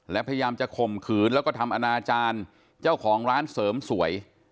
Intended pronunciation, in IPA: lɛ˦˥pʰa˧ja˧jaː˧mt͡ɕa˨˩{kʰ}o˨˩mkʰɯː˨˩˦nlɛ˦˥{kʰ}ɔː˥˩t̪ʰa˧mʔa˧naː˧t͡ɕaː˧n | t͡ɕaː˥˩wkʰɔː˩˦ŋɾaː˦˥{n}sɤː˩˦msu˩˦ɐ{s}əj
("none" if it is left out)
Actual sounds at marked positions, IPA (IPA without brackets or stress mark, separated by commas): kʰ, k, n, none